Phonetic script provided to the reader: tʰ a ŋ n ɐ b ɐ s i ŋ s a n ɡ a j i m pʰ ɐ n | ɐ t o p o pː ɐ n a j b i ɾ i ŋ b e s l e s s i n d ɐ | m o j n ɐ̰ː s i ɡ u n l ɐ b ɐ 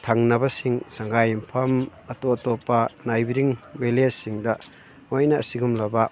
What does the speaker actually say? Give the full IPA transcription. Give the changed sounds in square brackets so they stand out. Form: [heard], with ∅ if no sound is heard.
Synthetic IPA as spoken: tʰ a ŋ n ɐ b ɐ s i ŋ s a [ŋ] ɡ a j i m pʰ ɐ [m] | ɐ t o [t] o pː ɐ n a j b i ɾ i ŋ b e [∅] l e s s i [ŋ] d ɐ | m o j n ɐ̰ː s i ɡ u [m] l ɐ b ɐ